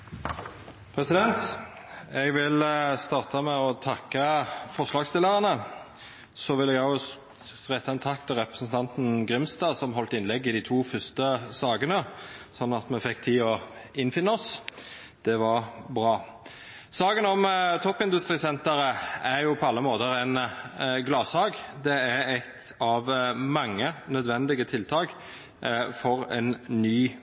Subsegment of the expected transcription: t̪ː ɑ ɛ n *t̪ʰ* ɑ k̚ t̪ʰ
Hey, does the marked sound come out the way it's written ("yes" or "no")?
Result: yes